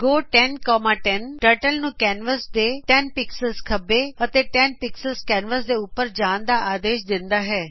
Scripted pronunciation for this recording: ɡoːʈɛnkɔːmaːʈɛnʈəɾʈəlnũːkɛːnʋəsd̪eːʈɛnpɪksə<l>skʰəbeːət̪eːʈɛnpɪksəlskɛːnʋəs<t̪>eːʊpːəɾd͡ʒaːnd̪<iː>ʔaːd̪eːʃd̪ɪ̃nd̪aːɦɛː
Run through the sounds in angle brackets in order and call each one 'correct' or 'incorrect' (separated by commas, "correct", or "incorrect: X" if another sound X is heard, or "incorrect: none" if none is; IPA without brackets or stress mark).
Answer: correct, incorrect: d̪, incorrect: aː